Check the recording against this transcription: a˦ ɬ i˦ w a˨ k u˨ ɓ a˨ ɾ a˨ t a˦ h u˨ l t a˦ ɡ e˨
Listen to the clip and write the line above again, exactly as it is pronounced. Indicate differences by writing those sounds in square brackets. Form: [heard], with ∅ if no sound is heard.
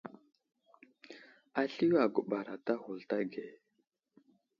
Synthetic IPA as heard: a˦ ɬ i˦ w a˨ [ɡ] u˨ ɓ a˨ ɾ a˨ t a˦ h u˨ l t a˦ ɡ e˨